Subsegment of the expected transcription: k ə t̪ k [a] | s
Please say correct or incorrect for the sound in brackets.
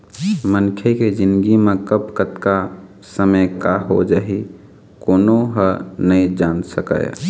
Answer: correct